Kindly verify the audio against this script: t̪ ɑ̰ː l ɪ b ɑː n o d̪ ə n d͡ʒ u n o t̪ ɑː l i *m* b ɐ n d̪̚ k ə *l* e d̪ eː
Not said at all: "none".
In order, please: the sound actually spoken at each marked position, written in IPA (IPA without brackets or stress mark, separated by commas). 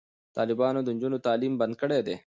m, ɽ